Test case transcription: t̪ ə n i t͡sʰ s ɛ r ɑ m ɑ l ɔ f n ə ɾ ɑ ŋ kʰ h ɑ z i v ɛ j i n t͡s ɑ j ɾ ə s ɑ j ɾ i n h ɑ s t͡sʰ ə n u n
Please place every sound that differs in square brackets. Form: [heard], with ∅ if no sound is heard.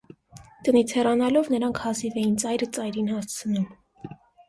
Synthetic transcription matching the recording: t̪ ə n i t͡sʰ [h] ɛ r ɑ [n] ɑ l ɔ [v] n ə ɾ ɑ ŋ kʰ h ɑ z i v ɛ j i n t͡s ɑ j ɾ ə [t͡s] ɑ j ɾ i n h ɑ s t͡sʰ ə n u [m]